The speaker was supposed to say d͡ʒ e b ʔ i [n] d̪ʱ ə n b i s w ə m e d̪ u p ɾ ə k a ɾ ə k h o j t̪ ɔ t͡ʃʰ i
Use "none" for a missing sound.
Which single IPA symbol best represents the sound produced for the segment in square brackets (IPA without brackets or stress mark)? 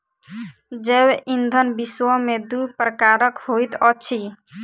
n